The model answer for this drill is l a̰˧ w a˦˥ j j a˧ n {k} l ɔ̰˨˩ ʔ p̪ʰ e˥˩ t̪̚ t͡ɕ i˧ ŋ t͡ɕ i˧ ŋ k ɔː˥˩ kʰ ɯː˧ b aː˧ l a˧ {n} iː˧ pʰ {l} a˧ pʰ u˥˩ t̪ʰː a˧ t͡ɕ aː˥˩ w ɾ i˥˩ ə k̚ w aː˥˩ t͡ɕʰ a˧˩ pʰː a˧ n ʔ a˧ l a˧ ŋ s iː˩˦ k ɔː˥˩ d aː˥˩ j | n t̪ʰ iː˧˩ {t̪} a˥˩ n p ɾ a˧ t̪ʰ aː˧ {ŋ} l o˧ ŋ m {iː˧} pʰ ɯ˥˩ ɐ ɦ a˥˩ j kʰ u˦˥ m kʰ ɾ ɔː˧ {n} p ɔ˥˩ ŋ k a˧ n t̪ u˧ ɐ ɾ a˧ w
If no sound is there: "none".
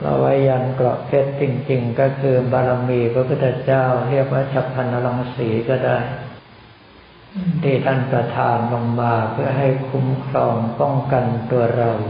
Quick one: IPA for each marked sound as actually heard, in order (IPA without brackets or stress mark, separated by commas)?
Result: k, m, ɾ, t̪ʰ, n, aː˧, ŋ